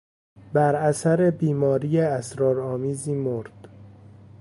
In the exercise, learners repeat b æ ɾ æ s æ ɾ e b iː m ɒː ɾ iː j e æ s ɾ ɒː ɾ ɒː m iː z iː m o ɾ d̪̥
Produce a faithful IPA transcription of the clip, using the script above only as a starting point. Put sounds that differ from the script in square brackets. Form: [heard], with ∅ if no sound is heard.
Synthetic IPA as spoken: b æ ɾ æ s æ ɾ e b iː m ɒː ɾ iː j e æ s ɾ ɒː ɾ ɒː m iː z iː m o ɾ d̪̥